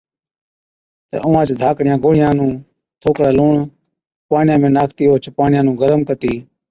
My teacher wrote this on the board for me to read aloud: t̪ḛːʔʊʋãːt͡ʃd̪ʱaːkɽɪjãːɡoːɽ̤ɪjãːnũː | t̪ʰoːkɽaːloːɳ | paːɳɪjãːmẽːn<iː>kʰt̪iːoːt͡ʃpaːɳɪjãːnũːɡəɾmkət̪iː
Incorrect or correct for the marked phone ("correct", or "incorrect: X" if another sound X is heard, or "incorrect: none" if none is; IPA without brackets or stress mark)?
incorrect: aː